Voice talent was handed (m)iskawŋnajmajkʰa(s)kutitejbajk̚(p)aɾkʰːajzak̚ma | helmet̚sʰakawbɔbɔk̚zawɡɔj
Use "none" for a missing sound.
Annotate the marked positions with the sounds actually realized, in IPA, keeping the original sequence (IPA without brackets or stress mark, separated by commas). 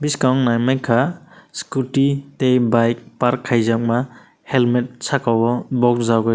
b, s, p